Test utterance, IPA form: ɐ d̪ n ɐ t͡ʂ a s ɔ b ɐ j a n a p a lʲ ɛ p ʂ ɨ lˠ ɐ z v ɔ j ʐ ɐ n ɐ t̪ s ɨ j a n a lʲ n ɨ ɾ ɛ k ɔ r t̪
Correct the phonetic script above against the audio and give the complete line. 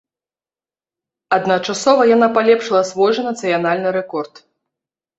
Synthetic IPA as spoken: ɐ d̪ n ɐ t͡ʂ a s ɔ v ɐ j a n a p a lʲ ɛ p ʂ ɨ lˠ ɐ s v ɔ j ʐ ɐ n ɐ t̪ s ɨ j a n a lʲ n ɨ ɾ ɛ k ɔ r t̪

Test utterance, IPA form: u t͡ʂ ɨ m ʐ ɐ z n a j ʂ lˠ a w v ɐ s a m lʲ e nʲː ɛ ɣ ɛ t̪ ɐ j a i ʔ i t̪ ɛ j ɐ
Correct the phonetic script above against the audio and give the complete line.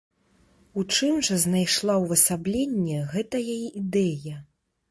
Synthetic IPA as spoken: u t͡ʂ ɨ m ʐ ɐ z n a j ʂ lˠ a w v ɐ s a b lʲ e nʲː ɛ ɣ ɛ t̪ ɐ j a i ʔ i d̪ ɛ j ɐ

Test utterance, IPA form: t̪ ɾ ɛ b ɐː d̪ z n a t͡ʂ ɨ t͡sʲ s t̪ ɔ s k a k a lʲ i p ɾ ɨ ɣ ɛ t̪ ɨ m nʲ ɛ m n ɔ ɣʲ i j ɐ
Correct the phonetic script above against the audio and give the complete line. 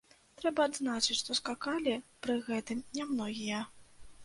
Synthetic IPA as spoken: t̪ ɾ ɛ b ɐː d̪ z n a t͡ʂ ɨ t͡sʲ ʂ t̪ ɔ s k a k a lʲ i p ɾ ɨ ɣ ɛ t̪ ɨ m nʲ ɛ m n ɔ ɣʲ i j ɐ

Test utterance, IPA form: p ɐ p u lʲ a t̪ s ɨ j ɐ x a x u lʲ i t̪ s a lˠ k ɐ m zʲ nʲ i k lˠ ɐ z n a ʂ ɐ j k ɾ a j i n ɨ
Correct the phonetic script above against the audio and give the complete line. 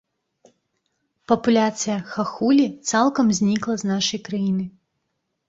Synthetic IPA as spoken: p ɐ p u lʲ a t̪ s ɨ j ɐ x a x u lʲ i t̪ s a lˠ k ɐ m zʲ nʲ i k lˠ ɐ z n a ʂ ɐ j k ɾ a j i n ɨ

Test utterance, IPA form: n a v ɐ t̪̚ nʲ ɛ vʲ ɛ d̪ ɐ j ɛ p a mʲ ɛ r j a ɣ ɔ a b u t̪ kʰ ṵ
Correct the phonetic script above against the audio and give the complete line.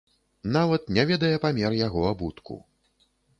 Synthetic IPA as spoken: n a v ɐ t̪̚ nʲ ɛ vʲ ɛ d̪ ɐ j ɛ p a mʲ ɛ r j a ɣ ɔ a b u t̪ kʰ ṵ

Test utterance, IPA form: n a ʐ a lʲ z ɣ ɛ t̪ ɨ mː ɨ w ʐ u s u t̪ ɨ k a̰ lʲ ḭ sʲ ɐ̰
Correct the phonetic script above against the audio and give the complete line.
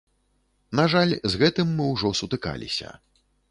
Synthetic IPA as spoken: n a ʐ a lʲ z ɣ ɛ t̪ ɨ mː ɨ w ʐ ɔ s u t̪ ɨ k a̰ lʲ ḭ sʲ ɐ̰

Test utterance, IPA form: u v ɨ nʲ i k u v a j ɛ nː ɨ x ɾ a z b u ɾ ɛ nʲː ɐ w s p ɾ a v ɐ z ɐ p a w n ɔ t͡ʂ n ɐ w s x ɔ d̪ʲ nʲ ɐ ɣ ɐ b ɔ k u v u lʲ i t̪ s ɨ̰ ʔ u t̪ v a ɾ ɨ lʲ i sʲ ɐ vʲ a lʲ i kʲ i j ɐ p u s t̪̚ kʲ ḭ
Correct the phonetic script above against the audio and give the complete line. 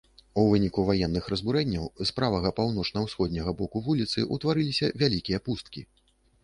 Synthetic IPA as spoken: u v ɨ nʲ i k u v a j ɛ nː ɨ x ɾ ɐ z b u ɾ ɛ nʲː ɐ w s p ɾ a v ɐ ɣ ɐ p a w n ɔ t͡ʂ n ɐ w s x ɔ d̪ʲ nʲ ɐ ɣ ɐ b ɔ k u v u lʲ i t̪ s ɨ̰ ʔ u t̪ v a ɾ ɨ lʲ i sʲ ɐ vʲ a lʲ i kʲ i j ɐ p u s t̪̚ kʲ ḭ

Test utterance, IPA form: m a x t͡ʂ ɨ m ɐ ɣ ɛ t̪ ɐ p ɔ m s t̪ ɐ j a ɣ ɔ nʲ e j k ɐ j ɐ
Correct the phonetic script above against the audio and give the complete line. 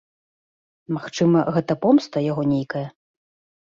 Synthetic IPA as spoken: m a x t͡ʂ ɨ m ɐ ɣ ɛ t̪ ɐ p ɔ m s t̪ ɐ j a ɣ ɔ nʲ e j k ɐ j ɐ

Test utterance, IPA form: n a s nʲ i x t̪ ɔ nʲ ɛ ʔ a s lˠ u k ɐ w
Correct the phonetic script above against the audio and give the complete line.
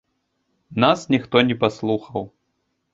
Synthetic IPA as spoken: n a s nʲ i x t̪ ɔ nʲ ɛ p a s lˠ u x ɐ w

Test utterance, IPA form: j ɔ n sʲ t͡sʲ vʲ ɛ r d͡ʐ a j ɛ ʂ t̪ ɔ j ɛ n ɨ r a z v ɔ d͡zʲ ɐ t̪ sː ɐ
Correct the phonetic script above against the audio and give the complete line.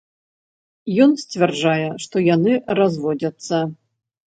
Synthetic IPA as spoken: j ɔ n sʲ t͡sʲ vʲ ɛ r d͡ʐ a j ɛ ʂ t̪ ɔ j a n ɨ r a z v ɔ d͡zʲ ɐ t̪ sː ɐ

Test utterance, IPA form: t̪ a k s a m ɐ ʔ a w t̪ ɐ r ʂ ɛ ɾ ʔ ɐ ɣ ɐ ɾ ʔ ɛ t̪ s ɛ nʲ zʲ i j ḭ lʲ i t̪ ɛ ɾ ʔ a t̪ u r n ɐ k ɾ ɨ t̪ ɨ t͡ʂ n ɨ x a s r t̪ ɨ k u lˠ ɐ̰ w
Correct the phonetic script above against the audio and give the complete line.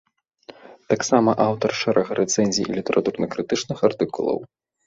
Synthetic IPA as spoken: t̪ a k s a m ɐ ʔ a w t̪ ɐ r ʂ ɛ ɾ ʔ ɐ ɣ ɐ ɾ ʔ ɛ t̪ s ɛ nʲ zʲ i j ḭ lʲ i t̪ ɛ ɾ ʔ a t̪ u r n ɐ k ɾ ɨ t̪ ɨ t͡ʂ n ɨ x a r t̪ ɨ k u lˠ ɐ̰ w

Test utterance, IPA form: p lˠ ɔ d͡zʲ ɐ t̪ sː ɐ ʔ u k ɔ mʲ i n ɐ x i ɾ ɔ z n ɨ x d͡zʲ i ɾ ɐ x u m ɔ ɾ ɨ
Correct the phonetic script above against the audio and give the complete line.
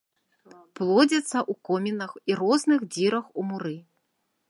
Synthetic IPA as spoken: p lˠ ɔ d͡zʲ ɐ t̪ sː ɐ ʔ u k ɔ mʲ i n ɐ x i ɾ ɔ z n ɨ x d͡zʲ i ɾ ɐ x u m u ɾ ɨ

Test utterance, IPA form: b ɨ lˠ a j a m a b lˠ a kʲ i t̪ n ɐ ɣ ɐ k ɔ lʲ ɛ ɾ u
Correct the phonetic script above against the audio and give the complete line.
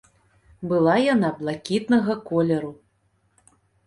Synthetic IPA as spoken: b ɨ lˠ a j a n a b lˠ a kʲ i t̪ n ɐ ɣ ɐ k ɔ lʲ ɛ ɾ u

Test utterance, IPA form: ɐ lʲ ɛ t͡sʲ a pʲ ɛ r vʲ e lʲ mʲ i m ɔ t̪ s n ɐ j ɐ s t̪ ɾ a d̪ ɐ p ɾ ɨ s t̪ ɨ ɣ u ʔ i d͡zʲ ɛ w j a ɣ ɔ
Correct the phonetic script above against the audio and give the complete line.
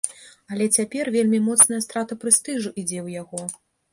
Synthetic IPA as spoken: ɐ lʲ ɛ t͡sʲ a pʲ ɛ r vʲ e lʲ mʲ i m ɔ t̪ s n ɐ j ɐ s t̪ ɾ a t̪ ɐ p ɾ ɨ s t̪ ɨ ʐ u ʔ i d͡zʲ ɛ w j a ɣ ɔ

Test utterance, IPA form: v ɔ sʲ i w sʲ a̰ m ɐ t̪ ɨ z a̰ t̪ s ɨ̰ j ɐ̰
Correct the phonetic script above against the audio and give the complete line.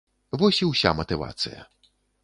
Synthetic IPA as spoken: v ɔ sʲ i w sʲ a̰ m ɐ t̪ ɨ v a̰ t̪ s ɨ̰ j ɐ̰

